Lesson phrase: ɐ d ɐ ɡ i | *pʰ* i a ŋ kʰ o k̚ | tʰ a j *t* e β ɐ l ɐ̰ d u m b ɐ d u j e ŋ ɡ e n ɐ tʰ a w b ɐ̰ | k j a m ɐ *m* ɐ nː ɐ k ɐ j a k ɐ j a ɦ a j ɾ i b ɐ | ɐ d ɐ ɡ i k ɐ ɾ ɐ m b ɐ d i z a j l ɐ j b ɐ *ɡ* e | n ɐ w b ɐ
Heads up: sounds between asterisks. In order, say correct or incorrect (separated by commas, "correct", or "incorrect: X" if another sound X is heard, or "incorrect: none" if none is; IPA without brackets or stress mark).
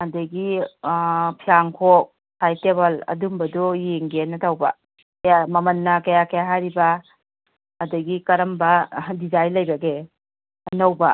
correct, correct, correct, correct